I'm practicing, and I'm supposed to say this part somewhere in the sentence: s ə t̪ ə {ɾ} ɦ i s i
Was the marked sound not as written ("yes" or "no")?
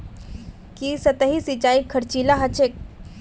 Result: yes